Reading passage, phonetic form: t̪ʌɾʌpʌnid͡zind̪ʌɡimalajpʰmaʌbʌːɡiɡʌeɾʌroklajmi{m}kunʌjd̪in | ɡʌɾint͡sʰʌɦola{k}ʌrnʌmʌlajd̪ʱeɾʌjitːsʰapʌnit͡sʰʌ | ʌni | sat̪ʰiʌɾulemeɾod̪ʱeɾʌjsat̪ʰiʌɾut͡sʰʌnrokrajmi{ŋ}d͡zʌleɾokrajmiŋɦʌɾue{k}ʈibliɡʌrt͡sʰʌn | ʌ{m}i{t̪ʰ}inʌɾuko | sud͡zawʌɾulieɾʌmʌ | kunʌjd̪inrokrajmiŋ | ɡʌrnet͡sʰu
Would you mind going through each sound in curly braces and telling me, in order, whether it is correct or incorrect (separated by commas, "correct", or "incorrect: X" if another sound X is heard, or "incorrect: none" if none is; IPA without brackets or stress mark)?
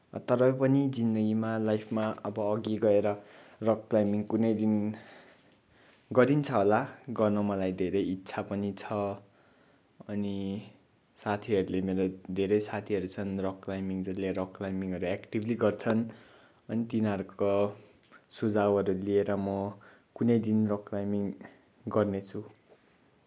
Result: incorrect: ŋ, incorrect: ɡ, correct, correct, incorrect: n, incorrect: t̪